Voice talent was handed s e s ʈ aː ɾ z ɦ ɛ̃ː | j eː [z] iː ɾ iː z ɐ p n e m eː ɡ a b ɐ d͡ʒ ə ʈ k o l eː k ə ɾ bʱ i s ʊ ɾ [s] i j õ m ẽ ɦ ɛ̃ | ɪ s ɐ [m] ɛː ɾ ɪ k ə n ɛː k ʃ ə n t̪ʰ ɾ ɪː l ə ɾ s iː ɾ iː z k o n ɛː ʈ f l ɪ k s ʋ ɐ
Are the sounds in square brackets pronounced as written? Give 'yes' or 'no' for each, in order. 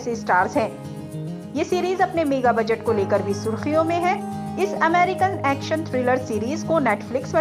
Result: no, no, yes

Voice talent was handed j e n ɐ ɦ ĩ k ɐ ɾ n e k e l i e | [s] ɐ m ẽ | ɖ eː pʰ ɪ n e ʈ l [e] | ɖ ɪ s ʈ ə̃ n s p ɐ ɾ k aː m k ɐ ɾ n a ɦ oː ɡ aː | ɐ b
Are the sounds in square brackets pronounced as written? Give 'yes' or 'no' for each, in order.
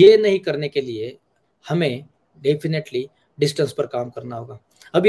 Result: no, no

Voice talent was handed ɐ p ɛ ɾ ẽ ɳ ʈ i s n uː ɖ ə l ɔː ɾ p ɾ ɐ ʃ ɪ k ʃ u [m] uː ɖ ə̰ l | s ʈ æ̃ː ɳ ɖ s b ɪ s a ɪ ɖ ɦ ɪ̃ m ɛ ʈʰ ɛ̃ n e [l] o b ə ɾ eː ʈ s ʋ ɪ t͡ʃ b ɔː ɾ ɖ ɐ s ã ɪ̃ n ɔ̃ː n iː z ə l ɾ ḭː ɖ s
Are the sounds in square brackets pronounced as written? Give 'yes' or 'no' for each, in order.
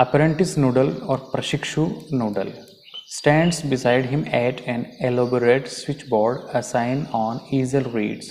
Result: no, yes

